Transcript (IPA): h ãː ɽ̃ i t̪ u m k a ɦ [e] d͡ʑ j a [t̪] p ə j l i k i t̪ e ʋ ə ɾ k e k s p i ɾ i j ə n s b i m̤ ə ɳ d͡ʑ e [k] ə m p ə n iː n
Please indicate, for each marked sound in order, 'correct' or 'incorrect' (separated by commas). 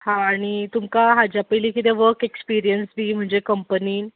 incorrect, incorrect, correct